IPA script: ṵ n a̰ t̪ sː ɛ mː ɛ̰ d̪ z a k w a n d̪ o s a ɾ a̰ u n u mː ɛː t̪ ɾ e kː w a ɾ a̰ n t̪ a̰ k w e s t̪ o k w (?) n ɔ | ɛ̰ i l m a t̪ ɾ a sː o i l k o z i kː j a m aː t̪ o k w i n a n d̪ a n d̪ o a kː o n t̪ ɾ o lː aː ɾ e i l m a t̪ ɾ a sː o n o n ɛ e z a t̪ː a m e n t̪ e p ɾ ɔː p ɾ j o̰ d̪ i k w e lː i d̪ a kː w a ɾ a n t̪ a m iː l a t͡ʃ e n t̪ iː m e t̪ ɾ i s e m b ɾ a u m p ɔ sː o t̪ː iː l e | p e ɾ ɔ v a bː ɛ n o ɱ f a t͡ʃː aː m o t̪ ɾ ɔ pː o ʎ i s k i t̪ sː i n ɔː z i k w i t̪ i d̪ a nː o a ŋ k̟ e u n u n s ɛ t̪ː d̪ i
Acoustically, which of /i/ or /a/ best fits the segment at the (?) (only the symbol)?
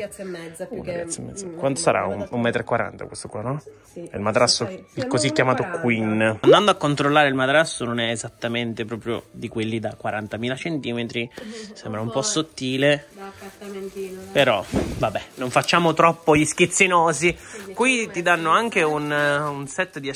a